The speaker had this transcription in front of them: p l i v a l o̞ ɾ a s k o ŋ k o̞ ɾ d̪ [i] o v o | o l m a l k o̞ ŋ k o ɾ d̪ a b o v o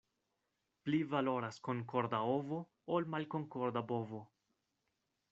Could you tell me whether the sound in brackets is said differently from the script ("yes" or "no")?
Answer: yes